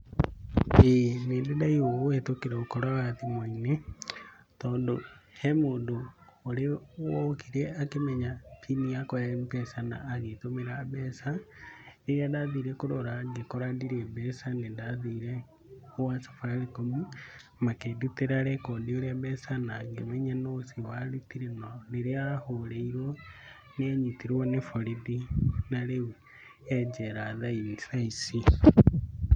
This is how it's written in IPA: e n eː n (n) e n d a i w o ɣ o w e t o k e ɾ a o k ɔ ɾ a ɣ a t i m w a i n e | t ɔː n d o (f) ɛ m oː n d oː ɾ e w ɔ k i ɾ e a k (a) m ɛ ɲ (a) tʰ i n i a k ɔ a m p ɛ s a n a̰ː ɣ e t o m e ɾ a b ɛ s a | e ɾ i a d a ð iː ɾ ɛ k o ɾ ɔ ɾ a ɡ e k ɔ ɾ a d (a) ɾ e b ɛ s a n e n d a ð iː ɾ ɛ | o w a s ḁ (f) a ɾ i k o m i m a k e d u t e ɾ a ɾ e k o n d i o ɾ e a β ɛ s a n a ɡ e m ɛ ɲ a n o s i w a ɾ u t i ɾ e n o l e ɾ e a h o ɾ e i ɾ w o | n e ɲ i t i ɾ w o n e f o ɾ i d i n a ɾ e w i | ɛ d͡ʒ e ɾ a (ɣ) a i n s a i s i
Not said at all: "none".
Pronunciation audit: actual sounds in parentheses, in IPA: d, h, e, a, i, f, ð

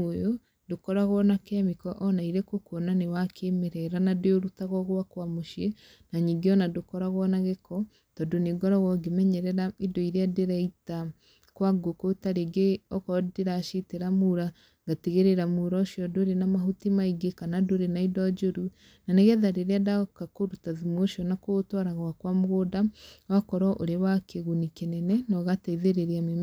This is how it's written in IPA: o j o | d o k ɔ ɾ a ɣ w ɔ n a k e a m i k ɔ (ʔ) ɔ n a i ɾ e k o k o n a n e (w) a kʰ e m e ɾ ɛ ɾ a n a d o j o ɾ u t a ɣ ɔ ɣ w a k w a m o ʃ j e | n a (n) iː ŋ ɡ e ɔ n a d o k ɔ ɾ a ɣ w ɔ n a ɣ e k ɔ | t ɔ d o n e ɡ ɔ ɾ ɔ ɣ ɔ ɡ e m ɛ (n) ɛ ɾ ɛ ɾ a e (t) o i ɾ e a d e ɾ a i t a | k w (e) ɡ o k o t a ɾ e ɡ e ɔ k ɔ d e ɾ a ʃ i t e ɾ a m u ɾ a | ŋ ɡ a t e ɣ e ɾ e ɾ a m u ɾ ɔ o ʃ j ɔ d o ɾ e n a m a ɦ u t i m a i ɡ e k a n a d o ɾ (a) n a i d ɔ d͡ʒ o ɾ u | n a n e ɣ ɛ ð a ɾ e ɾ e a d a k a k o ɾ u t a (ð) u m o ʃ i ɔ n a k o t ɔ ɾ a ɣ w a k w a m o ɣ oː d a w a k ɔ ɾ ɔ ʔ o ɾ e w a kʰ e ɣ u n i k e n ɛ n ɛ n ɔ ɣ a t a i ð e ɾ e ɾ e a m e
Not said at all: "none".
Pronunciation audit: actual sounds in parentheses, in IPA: ʔ, w, ɲ, ɲ, d, a, e, ð

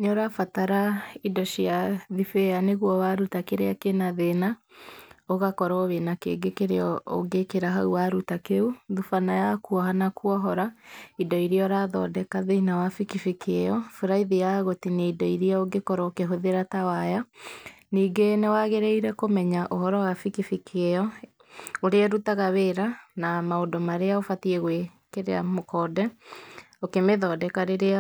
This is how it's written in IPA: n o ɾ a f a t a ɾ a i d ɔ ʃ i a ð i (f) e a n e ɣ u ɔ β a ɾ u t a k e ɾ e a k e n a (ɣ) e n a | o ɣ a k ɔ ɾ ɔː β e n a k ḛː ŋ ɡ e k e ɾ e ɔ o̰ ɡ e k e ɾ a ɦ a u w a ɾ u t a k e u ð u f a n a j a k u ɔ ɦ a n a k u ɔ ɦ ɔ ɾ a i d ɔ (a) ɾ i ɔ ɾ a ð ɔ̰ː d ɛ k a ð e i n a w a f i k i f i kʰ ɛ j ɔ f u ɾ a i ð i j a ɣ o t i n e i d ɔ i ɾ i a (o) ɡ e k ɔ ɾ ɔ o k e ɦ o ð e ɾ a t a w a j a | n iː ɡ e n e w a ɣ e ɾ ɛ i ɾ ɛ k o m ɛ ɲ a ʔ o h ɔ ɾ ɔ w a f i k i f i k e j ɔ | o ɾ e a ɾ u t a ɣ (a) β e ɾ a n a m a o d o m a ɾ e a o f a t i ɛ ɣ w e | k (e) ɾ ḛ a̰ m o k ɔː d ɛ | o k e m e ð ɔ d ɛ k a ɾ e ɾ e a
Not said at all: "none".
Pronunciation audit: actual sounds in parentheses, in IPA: f, ð, i, o, a, e

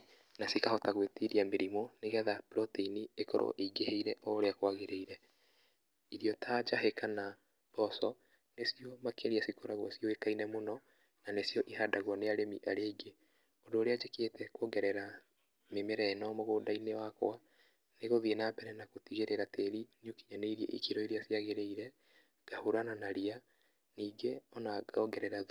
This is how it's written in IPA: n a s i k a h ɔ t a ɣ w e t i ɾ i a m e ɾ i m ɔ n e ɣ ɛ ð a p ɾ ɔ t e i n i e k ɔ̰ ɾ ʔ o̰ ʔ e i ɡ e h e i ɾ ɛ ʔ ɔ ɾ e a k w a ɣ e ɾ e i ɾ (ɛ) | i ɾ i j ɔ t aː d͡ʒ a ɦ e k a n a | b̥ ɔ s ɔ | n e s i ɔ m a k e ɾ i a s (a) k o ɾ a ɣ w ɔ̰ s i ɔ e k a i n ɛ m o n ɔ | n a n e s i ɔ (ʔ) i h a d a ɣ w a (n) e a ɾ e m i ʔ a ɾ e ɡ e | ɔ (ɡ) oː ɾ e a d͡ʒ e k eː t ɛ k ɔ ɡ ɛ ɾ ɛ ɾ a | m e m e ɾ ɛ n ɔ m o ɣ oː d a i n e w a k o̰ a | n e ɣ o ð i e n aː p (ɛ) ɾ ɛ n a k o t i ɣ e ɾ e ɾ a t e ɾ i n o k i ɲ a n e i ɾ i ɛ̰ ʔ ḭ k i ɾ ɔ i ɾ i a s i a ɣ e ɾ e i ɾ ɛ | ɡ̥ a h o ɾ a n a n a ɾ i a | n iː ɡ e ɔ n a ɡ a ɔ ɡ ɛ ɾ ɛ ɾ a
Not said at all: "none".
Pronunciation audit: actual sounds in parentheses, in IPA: ɛ, i, ʔ, n, d, ɛ

